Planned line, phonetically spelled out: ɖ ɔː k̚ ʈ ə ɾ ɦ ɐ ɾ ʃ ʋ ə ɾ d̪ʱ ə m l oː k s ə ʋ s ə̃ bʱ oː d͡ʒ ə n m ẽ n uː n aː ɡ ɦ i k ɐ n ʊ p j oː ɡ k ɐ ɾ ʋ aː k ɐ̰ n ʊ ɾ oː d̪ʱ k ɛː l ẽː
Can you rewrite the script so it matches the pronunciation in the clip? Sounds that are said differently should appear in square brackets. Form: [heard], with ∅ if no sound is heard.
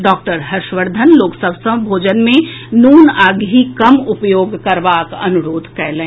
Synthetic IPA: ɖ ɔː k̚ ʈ ə ɾ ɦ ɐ ɾ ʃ ʋ ə ɾ d̪ʱ ə [n] l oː k s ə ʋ s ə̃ bʱ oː d͡ʒ ə n m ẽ n uː n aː ɡ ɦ i k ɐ [m] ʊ p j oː ɡ k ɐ ɾ ʋ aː k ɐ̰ n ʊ ɾ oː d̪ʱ k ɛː l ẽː

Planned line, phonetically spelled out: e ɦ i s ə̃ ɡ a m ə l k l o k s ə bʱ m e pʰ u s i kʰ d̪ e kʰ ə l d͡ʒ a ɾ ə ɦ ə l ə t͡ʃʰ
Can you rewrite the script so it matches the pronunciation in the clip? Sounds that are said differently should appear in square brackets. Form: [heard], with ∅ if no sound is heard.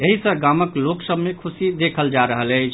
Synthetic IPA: e ɦ i s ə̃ ɡ a m ə [∅] k l o k s ə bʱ m e [kʰ] u s i [∅] d̪ e kʰ ə l d͡ʒ a ɾ ə ɦ ə l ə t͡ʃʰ

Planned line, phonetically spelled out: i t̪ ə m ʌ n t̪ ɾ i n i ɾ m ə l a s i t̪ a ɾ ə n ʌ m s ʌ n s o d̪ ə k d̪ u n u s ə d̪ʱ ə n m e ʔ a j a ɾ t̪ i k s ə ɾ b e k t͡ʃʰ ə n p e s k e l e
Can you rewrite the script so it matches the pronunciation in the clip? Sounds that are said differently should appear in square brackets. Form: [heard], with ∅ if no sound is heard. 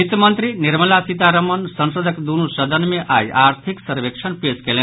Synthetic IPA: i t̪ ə m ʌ n t̪ ɾ i n i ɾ m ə l a s i t̪ a ɾ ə [m] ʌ [n] s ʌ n s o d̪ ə k d̪ u n u s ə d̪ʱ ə n m e ʔ a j a ɾ [t̪ʰ] i k s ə ɾ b e k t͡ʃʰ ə n p e s k e l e

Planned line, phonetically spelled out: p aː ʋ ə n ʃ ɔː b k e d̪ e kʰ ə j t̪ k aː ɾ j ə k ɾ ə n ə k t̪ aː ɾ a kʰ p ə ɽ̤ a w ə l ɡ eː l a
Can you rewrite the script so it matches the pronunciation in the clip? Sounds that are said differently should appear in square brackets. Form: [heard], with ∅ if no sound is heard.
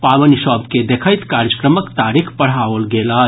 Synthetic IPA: p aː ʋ ə n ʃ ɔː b k e d̪ e kʰ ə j t̪ k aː ɾ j ə k ɾ ə [m] ə k t̪ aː ɾ [i] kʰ p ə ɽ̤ a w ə l ɡ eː l a

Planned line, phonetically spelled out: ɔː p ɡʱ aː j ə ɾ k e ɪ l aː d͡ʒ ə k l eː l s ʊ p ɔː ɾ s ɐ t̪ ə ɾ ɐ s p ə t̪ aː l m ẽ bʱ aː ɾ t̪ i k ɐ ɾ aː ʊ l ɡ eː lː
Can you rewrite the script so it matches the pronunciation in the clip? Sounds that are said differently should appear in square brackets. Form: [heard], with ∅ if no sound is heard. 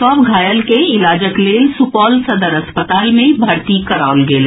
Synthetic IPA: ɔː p ɡʱ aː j ə [l] k e ɪ l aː d͡ʒ ə k l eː l s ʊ p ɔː [l] s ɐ [d̪] ə ɾ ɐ s p ə t̪ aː l m ẽ bʱ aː ɾ t̪ i k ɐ ɾ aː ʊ l ɡ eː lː

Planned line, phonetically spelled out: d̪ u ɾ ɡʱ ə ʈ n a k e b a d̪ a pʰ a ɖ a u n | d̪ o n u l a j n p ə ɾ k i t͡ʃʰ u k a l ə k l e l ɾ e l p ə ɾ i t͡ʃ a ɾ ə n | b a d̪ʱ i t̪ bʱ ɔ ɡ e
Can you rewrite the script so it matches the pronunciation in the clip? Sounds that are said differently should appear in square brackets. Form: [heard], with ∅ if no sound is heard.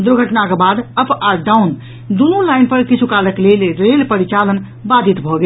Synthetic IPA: d̪ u ɾ ɡʱ ə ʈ n a k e b a d̪ [ə] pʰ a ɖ a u n | d̪ [u] n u l a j n p ə ɾ k i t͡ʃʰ u k a l ə k l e l ɾ e l p ə ɾ i t͡ʃ a [l] ə n | b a d̪ʱ i t̪ bʱ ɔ ɡ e

